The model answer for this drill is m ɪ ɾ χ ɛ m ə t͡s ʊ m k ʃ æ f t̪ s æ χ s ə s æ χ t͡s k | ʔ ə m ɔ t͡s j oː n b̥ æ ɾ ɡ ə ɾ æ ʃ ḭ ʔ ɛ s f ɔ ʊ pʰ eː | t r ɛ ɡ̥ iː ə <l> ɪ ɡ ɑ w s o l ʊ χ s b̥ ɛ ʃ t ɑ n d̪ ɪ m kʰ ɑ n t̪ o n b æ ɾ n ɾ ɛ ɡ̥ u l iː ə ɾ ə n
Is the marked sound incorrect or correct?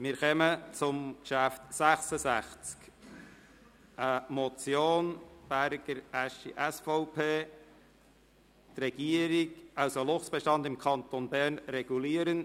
incorrect